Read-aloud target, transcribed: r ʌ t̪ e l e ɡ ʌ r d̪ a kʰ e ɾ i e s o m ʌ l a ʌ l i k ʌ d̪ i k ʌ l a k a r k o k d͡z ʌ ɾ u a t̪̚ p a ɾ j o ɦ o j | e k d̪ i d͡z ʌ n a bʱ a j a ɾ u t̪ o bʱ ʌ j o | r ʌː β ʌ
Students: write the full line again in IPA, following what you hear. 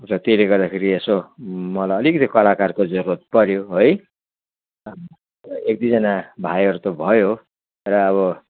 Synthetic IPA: r ʌ t̪ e l e ɡ ʌ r d̪ a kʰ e ɾ i e s o m ʌ l a ʌ l i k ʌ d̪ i k ʌ l a k a r k o d͡z ʌ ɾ u a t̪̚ p ʌ ɾ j o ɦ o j | e k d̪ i d͡z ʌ n a bʱ a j ʌ ɾ u t̪ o bʱ ʌ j o | r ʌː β ʌ

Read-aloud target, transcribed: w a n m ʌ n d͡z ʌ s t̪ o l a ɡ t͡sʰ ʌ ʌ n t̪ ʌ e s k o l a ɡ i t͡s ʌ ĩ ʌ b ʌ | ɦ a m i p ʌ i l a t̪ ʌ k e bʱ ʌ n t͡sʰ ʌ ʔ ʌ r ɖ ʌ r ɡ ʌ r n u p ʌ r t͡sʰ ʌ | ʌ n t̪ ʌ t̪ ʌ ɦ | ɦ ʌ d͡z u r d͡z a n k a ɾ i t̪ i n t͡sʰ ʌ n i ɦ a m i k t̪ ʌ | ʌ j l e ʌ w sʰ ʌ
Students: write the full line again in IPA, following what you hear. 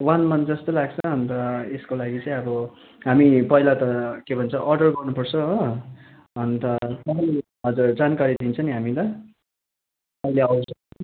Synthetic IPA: w a n m ʌ n d͡z ʌ s t̪ o l a ɡ t͡sʰ ʌ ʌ n t̪ ʌ e s k o l a ɡ i t͡s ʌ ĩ ʌ b ʌ | ɦ a m i p ʌ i l a t̪ ʌ k e bʱ ʌ n t͡sʰ ʌ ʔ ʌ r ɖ ʌ r ɡ ʌ r n u p ʌ r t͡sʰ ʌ | ʌ n t̪ ʌ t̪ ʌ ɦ | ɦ ʌ d͡z u r d͡z a n k a ɾ i d̪ i n t͡sʰ ʌ n i ɦ a m i t̪ ʌ | ʌ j l e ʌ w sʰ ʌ

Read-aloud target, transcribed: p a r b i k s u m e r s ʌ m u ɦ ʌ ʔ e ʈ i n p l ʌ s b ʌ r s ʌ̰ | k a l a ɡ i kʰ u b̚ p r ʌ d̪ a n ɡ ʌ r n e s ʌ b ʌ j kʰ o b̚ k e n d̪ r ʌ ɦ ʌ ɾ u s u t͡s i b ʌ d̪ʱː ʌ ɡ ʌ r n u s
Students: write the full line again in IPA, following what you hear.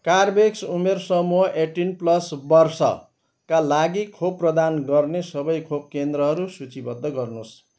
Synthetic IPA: k a r b e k s u m e r s ʌ m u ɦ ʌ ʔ e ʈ i n p l ʌ s b ʌ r s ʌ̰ | k a l a ɡ i kʰ o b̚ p r ʌ d̪ a n ɡ ʌ r n e s ʌ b ʌ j kʰ o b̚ k e n d̪ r ʌ ɦ ʌ ɾ u s u t͡s i b ʌ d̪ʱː ʌ ɡ ʌ r n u s

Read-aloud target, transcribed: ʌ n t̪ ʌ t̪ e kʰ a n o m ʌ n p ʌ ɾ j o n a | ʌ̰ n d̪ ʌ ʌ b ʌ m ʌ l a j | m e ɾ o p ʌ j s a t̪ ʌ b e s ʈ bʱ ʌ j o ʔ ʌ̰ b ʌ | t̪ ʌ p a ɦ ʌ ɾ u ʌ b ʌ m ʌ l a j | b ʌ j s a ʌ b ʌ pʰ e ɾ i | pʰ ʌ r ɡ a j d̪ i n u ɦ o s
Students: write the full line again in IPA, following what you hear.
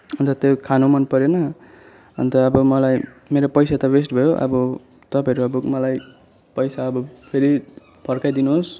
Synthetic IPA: ʌ n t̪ ʌ t̪ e kʰ a n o m ʌ n p ʌ ɾ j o n ʌ | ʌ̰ n t̪ ʌ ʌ b ʌ m ʌ l a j | m e ɾ o p ʌ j s a t̪ ʌ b e s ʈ bʱ ʌ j o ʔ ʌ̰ b ʌ | t̪ ʌ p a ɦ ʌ ɾ u ʌ b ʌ m ʌ l a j | p ʌ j s a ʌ b ʌ pʰ e ɾ i | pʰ ʌ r k a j d̪ i n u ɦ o s

